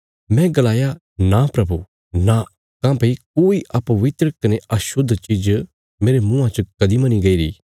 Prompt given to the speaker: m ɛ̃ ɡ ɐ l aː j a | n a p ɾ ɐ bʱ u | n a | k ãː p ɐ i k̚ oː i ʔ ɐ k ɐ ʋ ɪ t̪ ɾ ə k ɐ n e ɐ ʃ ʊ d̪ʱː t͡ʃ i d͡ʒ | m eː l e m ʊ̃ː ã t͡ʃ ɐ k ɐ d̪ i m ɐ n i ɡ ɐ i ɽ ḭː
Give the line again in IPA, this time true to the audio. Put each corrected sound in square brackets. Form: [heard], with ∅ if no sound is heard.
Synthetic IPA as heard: m ɛ̃ ɡ ɐ l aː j a | n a p ɾ ɐ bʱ u | n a | k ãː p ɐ i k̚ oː i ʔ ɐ [p] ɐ ʋ ɪ t̪ ɾ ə k ɐ n e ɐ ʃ ʊ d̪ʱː t͡ʃ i d͡ʒ | m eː [ɾ] e m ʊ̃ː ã t͡ʃ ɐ k ɐ d̪ i m ɐ n i ɡ ɐ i [ɾ] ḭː